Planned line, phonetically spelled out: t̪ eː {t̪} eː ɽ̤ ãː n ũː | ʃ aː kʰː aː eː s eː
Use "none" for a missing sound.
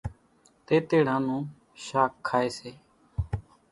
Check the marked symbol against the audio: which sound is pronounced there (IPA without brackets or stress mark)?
t̪